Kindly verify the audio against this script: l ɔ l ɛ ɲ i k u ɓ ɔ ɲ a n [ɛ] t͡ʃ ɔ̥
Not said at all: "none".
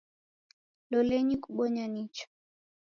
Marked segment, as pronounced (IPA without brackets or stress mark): i